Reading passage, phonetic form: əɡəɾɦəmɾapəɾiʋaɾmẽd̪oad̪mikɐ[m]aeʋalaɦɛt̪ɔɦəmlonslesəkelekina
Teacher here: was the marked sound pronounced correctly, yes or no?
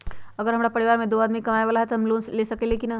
yes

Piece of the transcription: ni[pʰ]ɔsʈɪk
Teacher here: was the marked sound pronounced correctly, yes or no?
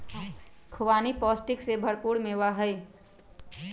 no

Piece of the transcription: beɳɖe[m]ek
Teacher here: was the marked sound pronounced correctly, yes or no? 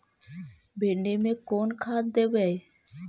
yes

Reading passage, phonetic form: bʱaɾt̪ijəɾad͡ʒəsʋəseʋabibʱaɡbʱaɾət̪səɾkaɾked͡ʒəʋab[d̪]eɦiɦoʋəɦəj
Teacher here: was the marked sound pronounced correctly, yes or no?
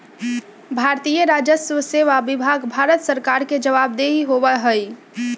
yes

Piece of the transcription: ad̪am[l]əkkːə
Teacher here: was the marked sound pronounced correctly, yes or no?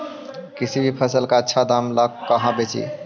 yes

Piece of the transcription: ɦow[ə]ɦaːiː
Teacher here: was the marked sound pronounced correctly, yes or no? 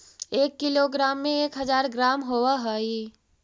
no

